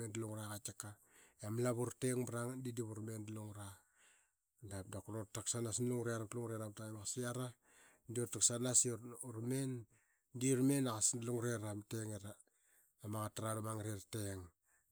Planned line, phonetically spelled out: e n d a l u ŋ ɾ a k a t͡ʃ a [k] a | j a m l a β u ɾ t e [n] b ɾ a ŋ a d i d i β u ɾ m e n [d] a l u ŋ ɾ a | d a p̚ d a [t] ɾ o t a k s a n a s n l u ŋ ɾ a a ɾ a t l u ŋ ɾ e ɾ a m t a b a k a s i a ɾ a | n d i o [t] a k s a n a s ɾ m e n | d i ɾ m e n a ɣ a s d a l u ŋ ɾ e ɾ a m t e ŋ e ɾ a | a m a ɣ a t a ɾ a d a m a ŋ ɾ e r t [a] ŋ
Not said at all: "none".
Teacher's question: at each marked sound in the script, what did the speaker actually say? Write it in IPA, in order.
k, ŋ, d, k, t, e

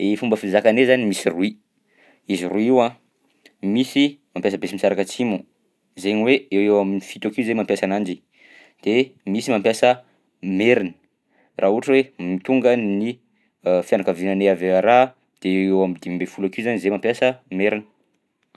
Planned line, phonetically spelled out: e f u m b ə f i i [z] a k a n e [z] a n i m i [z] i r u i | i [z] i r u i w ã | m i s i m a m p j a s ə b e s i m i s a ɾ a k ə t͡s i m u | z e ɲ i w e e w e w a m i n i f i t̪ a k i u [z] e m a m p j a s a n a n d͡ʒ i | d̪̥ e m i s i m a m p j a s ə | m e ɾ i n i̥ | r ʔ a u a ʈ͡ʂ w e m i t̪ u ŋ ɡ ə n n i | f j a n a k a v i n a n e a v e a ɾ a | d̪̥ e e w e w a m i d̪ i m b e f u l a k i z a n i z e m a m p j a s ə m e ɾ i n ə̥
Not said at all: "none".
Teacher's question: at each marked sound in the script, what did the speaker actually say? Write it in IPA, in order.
z, z, s, z, z

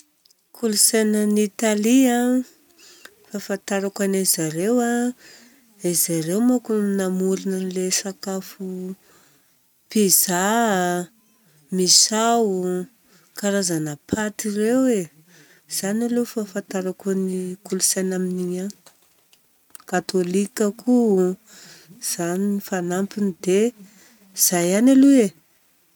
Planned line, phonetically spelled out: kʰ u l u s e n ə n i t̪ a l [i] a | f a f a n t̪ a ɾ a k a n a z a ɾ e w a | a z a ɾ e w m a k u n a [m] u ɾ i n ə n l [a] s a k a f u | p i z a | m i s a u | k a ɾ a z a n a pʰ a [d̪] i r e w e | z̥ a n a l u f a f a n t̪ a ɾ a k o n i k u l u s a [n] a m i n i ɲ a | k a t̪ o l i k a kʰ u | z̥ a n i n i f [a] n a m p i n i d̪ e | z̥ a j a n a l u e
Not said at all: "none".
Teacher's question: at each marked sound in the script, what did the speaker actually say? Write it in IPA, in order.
i, m, e, t̪, n, a

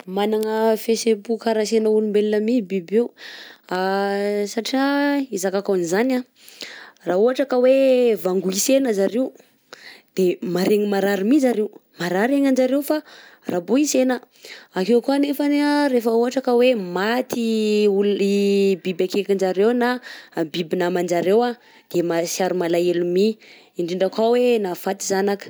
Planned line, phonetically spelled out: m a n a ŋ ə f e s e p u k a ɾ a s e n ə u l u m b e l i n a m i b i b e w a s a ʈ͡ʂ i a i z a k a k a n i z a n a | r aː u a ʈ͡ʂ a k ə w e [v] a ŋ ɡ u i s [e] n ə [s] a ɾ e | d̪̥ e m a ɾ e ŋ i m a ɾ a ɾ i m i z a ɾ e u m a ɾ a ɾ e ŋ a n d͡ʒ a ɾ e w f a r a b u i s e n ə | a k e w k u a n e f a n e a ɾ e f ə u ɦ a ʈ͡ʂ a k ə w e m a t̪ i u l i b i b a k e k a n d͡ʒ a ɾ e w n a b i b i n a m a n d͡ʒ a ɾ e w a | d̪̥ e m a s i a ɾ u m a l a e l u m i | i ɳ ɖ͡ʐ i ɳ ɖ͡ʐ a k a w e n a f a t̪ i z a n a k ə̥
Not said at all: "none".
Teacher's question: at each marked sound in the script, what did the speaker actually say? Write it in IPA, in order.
v, e, z

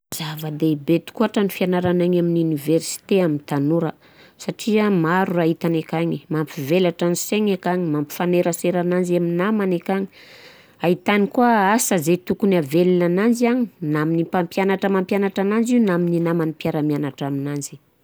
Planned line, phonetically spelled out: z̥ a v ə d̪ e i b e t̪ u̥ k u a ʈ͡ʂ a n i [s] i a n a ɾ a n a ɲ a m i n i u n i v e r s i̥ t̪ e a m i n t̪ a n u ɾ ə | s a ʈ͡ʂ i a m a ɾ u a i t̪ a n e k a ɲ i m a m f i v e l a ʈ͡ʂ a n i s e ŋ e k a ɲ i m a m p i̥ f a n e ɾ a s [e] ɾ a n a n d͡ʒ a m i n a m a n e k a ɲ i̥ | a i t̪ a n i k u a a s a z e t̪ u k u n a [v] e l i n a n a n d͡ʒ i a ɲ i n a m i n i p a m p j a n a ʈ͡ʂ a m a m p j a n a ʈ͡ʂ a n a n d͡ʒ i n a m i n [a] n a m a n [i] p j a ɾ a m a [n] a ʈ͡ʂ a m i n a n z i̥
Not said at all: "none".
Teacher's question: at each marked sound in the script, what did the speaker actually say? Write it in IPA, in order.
f, e, v, i, i, n

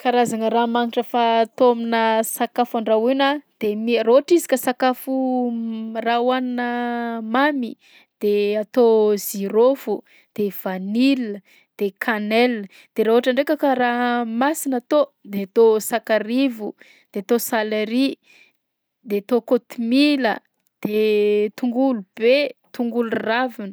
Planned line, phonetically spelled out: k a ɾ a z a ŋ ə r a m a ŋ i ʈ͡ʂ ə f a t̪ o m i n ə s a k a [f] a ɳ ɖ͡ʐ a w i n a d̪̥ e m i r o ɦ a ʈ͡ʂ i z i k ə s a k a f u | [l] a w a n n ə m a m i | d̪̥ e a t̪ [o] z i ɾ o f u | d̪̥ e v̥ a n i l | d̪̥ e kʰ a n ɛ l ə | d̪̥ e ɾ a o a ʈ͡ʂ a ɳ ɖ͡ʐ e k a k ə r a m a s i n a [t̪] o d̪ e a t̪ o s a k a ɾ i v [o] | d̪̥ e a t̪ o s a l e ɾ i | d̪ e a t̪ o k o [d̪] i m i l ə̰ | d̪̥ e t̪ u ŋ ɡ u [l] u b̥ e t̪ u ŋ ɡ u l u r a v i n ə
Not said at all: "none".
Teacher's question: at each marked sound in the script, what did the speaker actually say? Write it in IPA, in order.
f, r, o, t̪, u, t̪, l

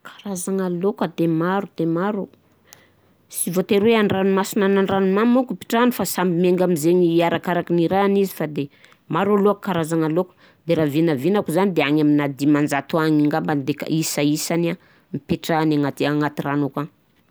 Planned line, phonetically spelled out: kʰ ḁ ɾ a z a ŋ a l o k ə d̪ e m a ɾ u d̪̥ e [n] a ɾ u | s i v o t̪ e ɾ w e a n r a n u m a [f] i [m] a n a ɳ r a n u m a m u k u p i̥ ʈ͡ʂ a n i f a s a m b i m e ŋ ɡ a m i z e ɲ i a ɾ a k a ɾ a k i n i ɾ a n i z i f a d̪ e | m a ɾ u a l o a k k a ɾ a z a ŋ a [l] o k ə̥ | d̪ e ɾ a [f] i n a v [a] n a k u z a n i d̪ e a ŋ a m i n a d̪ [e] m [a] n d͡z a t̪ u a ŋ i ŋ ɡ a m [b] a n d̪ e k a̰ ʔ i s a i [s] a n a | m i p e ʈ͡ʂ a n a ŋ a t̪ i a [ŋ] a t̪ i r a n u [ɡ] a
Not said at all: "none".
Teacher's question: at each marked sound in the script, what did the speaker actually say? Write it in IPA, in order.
m, s, n, l, v, i, i, a, b, s, ŋ, k

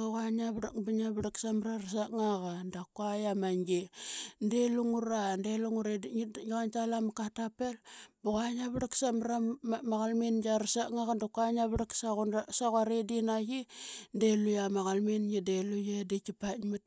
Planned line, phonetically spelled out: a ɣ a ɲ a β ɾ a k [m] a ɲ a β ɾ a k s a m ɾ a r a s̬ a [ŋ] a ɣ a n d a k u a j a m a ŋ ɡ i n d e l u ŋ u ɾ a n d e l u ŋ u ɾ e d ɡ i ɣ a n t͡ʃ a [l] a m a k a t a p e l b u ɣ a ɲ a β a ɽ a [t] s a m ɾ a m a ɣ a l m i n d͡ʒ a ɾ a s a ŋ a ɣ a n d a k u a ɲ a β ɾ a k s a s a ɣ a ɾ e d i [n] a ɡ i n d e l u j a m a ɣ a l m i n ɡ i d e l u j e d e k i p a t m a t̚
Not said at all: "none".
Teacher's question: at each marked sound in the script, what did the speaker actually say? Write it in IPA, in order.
b, ŋ, l, k, n

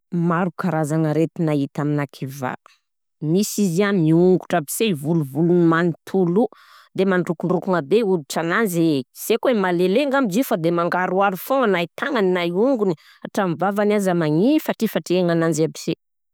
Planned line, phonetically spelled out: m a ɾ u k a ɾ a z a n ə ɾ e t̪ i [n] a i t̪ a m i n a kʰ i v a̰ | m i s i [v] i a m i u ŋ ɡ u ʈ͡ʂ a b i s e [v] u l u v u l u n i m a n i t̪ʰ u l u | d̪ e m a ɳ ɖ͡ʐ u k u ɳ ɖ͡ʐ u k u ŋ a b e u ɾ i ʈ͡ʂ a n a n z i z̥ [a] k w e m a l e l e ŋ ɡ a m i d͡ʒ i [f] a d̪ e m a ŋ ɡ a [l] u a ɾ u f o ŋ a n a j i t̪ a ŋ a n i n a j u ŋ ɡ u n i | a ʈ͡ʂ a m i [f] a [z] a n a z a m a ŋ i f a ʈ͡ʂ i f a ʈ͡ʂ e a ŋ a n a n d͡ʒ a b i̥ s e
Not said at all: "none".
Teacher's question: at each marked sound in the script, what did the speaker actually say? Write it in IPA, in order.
n, z, v, e, f, ɾ, v, v

